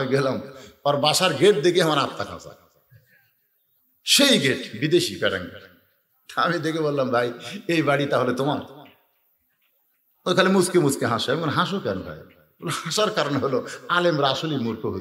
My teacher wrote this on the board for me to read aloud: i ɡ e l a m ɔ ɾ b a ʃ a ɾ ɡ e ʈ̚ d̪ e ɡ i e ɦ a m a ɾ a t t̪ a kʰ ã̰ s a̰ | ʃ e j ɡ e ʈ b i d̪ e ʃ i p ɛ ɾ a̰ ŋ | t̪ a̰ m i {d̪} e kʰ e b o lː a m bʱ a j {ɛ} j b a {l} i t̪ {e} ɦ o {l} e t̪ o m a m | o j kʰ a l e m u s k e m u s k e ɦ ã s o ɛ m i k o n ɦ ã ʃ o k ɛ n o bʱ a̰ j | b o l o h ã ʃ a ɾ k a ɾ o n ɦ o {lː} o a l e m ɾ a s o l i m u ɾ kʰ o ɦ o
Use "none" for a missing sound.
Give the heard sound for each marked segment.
d̪, e, ɽ, a, l, l

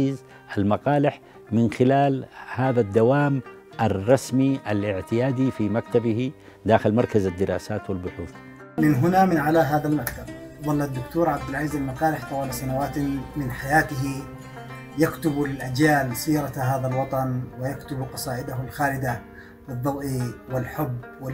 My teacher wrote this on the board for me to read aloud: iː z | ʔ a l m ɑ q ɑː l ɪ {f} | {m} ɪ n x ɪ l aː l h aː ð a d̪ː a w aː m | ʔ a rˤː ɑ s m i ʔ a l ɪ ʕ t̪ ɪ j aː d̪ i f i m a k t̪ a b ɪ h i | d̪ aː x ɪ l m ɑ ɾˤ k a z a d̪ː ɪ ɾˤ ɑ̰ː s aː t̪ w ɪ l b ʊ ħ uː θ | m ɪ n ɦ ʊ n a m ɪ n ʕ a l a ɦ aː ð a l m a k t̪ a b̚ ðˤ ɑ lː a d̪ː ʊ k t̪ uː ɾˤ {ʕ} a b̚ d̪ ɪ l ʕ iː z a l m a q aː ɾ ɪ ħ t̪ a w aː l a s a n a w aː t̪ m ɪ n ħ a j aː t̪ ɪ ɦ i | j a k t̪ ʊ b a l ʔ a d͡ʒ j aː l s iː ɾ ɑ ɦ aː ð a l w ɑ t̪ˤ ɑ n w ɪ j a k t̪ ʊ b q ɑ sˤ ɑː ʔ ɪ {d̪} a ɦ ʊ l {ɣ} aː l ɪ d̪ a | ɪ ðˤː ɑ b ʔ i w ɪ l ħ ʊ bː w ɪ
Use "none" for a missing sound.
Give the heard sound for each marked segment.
ħ, m, ʕ, d̪, x

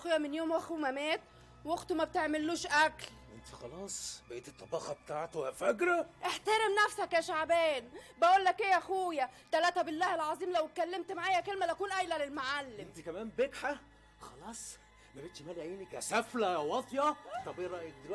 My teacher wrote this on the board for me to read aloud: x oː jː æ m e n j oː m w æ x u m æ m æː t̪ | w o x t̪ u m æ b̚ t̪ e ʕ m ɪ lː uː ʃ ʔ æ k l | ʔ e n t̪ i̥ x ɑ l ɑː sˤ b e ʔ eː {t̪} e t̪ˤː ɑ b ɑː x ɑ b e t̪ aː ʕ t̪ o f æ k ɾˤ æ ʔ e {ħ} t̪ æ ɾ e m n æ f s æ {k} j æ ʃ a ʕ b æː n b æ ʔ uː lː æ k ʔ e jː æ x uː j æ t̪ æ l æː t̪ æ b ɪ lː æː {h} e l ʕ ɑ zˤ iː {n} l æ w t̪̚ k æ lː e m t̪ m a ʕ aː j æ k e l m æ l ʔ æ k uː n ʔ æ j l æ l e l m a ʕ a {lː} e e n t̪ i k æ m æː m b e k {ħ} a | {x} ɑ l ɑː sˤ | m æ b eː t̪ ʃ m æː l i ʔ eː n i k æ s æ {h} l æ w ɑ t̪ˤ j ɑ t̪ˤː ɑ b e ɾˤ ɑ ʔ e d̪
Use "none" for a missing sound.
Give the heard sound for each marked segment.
t̪, ħ, k, h, m, lː, ħ, x, f

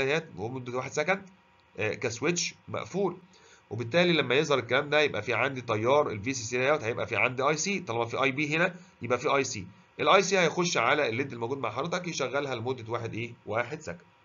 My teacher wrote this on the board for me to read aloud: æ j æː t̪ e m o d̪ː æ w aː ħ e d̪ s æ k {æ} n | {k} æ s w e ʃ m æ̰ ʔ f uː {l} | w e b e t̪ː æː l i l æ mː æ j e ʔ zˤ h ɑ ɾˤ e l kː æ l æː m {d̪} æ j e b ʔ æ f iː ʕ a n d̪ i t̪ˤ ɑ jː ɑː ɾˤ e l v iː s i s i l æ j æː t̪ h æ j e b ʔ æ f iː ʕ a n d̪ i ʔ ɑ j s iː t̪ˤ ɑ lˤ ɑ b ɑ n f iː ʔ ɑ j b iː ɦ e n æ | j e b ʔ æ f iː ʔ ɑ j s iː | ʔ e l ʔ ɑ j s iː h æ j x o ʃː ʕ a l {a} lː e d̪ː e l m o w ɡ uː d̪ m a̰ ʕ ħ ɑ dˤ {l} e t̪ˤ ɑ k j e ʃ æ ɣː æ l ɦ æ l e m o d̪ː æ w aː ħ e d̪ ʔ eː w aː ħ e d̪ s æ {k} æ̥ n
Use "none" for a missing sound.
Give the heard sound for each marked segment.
æ, k, l, d̪, æ, ɾ, k

